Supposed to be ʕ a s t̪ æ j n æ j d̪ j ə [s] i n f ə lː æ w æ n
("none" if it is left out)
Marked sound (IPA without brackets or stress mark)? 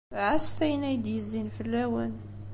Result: z